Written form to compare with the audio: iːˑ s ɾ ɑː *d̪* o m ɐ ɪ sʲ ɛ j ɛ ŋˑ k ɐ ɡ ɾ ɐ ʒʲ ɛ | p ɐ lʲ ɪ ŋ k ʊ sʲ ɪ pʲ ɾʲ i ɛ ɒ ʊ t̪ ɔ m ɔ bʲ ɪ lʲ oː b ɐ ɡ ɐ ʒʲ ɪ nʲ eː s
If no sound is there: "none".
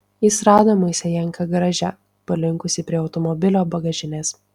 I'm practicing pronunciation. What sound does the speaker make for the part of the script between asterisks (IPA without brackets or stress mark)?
d̪